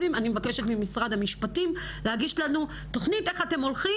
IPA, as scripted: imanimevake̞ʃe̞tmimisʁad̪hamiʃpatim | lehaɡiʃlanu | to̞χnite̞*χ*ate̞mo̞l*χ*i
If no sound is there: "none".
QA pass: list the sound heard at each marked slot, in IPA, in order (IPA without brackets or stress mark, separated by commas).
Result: χ, χ